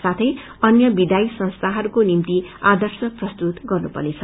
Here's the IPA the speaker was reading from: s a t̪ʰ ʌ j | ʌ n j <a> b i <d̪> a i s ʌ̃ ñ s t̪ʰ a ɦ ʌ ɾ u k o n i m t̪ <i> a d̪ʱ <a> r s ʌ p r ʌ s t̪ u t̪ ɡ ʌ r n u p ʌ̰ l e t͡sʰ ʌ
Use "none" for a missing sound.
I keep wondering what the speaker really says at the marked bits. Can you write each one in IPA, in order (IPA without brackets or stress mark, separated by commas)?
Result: ʌ, d̪, i, ʌ